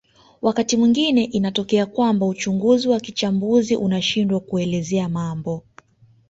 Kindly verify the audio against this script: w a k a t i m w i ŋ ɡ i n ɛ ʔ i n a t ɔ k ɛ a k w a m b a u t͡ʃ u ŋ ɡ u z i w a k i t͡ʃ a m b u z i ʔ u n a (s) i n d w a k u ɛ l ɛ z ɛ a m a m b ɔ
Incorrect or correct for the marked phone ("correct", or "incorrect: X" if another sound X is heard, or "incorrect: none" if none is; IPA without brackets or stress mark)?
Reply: incorrect: ʃ